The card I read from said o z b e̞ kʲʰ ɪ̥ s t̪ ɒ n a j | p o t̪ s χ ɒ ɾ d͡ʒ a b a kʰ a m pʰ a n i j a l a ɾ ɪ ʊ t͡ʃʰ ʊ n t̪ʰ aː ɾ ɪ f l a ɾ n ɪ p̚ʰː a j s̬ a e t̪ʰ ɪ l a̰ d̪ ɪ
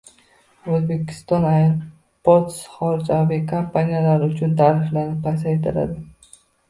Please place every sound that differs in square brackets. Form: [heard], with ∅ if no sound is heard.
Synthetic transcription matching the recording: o z b e̞ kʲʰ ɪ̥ s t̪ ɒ n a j | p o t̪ s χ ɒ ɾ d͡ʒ a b [i] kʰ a m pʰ a n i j a l a ɾ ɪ ʊ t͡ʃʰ ʊ n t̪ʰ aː ɾ ɪ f l a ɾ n ɪ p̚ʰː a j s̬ a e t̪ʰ ɪ l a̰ d̪ ɪ